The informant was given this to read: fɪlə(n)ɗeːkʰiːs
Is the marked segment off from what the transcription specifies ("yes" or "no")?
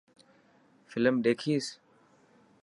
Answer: yes